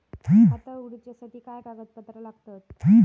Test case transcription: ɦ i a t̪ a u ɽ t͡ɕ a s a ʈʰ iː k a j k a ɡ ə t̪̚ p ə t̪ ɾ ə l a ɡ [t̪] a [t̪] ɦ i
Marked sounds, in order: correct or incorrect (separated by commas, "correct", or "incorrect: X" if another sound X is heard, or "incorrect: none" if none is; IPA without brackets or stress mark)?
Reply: correct, correct